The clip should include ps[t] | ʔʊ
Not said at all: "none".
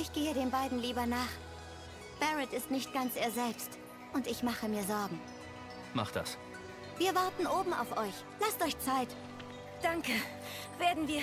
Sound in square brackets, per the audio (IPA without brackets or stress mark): t